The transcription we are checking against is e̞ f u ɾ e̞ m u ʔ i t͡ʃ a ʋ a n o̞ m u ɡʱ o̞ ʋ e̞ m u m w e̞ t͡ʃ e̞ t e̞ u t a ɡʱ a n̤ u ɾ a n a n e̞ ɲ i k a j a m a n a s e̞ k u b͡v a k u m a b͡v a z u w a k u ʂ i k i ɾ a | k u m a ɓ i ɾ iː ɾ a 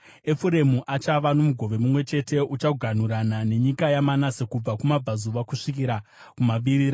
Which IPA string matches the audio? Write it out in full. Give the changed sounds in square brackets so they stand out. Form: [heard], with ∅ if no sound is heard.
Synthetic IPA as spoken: e̞ f u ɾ e̞ m u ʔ [a] t͡ʃ a ʋ a n o̞ m u ɡʱ o̞ ʋ e̞ m u m w e̞ t͡ʃ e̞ t e̞ u [t͡ʃ] a ɡʱ a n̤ u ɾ a n a n e̞ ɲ i k a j a m a n a s e̞ k u b͡v a k u m a b͡v a z u [ʋ] a k u ʂ i k i ɾ a | k u m a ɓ i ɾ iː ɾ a